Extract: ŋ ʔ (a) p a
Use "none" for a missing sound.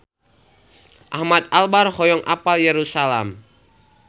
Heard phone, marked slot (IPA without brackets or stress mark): a